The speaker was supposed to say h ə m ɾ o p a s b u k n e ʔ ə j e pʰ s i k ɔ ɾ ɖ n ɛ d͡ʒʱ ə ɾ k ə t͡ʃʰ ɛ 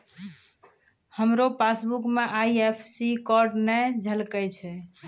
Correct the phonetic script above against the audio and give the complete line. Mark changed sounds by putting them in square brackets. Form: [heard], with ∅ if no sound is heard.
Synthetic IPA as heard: h ə m ɾ o p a s b u k [m] e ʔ [a] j e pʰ s i k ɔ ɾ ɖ n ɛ d͡ʒʱ ə [l] k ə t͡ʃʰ ɛ